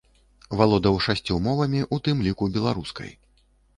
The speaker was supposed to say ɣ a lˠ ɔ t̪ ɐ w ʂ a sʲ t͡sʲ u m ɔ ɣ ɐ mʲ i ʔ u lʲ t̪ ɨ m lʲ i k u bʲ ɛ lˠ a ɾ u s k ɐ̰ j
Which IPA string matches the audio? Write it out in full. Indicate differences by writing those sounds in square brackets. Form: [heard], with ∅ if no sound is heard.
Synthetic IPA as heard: [v] a lˠ ɔ [d̪] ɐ w ʂ a sʲ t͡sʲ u m ɔ [v] ɐ mʲ i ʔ u [∅] t̪ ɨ m lʲ i k u bʲ ɛ lˠ a ɾ u s k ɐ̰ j

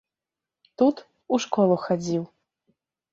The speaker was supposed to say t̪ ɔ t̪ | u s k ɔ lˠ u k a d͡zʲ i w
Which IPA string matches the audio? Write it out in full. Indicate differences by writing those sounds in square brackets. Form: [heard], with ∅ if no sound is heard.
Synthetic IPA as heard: t̪ [u] t̪ | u [ʂ] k ɔ lˠ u [x] a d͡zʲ i w

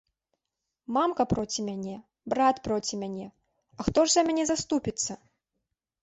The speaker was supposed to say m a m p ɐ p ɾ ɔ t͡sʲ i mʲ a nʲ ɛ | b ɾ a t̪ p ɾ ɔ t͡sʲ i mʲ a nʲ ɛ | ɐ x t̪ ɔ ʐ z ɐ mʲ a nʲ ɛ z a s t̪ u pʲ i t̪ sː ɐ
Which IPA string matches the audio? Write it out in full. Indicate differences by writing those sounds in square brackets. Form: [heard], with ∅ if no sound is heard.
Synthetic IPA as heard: m a m [k] ɐ p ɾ ɔ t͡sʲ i mʲ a nʲ ɛ | b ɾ a t̪ p ɾ ɔ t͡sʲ i mʲ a nʲ ɛ | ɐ x t̪ ɔ ʐ z ɐ mʲ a nʲ ɛ z a s t̪ u pʲ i t̪ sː ɐ

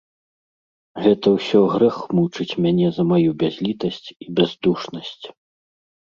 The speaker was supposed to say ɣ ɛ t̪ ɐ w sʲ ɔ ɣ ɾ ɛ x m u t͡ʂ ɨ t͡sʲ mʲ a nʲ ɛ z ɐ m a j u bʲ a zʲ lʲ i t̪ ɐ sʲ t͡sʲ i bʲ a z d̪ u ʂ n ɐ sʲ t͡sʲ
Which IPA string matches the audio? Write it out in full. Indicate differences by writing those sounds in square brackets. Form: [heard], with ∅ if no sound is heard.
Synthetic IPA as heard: ɣ ɛ t̪ ɐ w sʲ ɔ ɣ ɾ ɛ x m u t͡ʂ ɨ t͡sʲ mʲ a nʲ ɛ z ɐ m a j u bʲ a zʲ lʲ i t̪ ɐ sʲ t͡sʲ i bʲ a z d̪ u ʂ n ɐ sʲ t͡sʲ

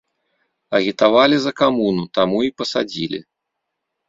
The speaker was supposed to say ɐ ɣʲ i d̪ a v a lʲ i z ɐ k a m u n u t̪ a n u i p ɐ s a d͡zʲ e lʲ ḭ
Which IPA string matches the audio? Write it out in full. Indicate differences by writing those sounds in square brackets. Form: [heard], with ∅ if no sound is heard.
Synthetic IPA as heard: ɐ ɣʲ i [t̪] a v a lʲ i z ɐ k a m u n u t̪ a [m] u i p ɐ s a d͡zʲ [i] lʲ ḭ

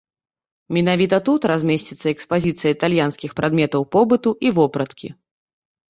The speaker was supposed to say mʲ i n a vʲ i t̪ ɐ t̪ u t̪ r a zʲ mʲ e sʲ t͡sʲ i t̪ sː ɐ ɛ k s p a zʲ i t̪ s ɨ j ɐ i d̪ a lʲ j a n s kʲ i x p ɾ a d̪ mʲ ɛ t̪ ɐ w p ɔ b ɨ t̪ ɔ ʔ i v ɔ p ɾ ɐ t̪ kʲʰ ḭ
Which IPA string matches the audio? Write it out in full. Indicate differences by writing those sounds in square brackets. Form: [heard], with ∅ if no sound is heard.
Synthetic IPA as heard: mʲ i n a vʲ i t̪ ɐ t̪ u t̪ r a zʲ mʲ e sʲ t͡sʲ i t̪ sː ɐ ɛ k s p a zʲ i t̪ s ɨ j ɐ i [t̪] a lʲ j a n s kʲ i x p ɾ a d̪ mʲ ɛ t̪ ɐ w p ɔ b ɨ t̪ [u] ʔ i v ɔ p ɾ ɐ t̪ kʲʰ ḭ

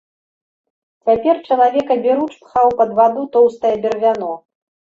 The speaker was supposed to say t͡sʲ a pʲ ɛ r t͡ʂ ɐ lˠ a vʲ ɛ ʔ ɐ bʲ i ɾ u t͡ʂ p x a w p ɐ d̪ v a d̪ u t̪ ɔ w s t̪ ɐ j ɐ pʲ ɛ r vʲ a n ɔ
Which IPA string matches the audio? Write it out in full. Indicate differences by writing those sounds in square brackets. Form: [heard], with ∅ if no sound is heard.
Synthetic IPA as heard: t͡sʲ a pʲ ɛ r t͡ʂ ɐ lˠ a vʲ ɛ [k] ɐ bʲ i ɾ u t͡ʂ p x a w p ɐ d̪ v a d̪ u t̪ ɔ w s t̪ ɐ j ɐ [bʲ] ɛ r vʲ a n ɔ

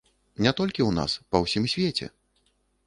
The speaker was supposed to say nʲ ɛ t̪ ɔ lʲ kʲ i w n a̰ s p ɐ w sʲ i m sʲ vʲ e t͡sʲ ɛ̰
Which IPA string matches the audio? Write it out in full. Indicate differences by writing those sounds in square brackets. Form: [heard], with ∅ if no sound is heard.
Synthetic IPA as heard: nʲ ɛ t̪ ɔ lʲ kʲ i w n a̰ s p ɐ w sʲ i m sʲ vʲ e t͡sʲ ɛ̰

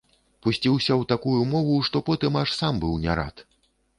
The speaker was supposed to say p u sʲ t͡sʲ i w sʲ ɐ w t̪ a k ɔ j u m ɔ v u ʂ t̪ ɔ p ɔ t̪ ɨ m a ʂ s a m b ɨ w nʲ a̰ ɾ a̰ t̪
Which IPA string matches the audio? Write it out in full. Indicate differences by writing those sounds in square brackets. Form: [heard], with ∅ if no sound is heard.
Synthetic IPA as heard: p u sʲ t͡sʲ i w sʲ ɐ w t̪ a k [u] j u m ɔ v u ʂ t̪ ɔ p ɔ t̪ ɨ m a ʂ s a m b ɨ w nʲ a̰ ɾ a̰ t̪

